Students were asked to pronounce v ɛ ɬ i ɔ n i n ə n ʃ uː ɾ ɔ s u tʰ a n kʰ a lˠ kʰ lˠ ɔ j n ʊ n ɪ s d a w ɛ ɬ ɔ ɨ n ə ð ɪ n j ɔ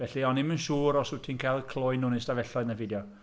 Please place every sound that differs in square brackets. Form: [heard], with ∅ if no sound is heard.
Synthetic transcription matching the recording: v ɛ ɬ i ɔ n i [m] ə n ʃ uː ɾ ɔ s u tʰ [i] n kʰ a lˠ kʰ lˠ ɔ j n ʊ n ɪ s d a [v] ɛ ɬ ɔ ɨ n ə [v] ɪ [d] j ɔ

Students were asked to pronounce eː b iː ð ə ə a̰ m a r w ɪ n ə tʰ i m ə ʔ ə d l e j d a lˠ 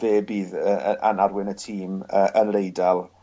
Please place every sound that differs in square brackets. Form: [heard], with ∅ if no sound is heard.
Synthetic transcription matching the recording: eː b iː ð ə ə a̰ [n] a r w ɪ n ə tʰ [iː] m ə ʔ ə [n] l e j d a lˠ

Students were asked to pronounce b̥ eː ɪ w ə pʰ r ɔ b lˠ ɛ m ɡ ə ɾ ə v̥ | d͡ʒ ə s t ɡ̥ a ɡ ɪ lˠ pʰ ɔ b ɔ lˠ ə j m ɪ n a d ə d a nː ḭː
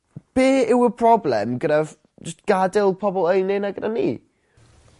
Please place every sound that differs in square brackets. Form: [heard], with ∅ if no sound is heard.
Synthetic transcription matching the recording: b̥ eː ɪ w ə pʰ r ɔ b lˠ ɛ m ɡ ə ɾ [a] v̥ | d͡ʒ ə s t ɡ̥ a [d] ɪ lˠ pʰ ɔ b ɔ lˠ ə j [n] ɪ n a [ɡ] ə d a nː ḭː

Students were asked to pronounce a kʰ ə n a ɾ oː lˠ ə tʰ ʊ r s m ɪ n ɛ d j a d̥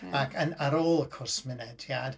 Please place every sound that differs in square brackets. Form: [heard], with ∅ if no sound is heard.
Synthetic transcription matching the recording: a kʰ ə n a ɾ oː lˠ ə [kʰ] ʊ r s m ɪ n ɛ d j a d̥

